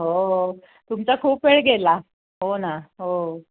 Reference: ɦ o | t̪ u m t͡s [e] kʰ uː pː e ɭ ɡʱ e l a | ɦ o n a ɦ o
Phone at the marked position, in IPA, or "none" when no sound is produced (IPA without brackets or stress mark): a